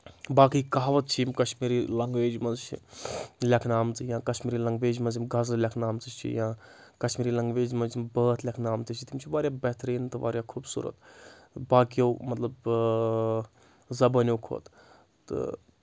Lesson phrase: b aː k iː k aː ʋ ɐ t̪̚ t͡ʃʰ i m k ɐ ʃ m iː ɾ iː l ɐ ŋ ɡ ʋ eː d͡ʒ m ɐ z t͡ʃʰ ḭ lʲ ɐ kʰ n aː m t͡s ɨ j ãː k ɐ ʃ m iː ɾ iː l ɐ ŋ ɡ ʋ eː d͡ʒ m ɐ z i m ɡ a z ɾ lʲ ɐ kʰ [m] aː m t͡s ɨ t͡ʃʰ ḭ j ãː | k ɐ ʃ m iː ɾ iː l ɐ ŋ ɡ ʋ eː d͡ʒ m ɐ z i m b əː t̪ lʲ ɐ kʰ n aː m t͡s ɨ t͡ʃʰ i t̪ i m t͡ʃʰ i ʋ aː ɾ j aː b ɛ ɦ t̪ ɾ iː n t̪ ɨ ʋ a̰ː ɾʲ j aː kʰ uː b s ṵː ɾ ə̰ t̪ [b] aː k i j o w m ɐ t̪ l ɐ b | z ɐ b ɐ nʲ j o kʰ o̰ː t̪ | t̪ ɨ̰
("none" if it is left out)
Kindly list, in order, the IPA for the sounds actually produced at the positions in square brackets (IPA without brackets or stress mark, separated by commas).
n, b